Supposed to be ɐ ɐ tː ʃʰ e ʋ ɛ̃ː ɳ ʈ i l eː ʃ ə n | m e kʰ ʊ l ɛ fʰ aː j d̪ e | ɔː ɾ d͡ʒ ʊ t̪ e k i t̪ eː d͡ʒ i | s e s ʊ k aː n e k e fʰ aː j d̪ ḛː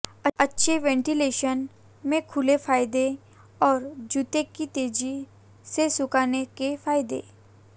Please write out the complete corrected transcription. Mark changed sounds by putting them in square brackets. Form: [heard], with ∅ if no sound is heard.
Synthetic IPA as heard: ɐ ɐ tː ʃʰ e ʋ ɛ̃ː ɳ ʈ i l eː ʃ ə n | m [ẽ] kʰ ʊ l [e] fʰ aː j d̪ e | ɔː ɾ d͡ʒ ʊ t̪ e k i t̪ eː d͡ʒ i | s e s ʊ k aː n e k e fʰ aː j d̪ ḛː